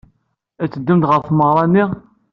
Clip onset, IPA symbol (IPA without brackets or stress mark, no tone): æ